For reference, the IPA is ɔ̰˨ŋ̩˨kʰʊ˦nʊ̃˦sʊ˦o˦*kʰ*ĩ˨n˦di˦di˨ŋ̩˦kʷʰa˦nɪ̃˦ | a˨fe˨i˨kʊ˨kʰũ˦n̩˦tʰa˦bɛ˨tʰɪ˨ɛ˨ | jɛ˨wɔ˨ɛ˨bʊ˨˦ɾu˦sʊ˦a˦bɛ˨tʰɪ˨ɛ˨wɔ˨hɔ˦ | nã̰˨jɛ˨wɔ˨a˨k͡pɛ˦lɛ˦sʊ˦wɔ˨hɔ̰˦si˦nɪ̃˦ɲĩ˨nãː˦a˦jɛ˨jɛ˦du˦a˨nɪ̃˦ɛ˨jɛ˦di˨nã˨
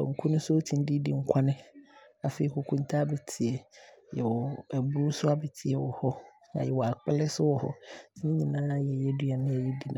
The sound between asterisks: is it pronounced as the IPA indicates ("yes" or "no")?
no